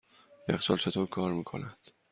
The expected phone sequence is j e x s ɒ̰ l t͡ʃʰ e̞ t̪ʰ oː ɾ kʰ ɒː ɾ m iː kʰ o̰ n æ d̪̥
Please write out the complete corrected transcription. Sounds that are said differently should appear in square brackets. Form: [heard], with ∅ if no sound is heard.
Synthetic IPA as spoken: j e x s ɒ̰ l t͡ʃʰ e̞ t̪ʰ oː ɾ kʰ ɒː ɾ m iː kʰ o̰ n æ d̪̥